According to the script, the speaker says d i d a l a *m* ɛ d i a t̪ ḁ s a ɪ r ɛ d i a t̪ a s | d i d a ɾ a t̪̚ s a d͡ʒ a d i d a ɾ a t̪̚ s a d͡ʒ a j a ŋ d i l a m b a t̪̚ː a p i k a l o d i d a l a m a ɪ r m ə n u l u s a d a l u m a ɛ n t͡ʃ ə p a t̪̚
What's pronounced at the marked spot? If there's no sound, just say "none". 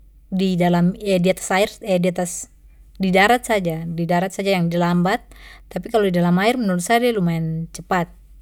m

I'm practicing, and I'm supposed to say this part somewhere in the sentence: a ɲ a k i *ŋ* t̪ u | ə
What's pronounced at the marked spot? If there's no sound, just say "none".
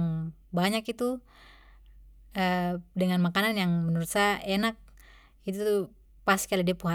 none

